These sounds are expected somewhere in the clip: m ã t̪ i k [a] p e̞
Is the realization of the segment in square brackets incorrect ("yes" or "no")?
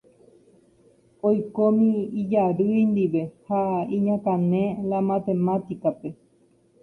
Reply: no